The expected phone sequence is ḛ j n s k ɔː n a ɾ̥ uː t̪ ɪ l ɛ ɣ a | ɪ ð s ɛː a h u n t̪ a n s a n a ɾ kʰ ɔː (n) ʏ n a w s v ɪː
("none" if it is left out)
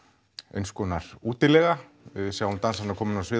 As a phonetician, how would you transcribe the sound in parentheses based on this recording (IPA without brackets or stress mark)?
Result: m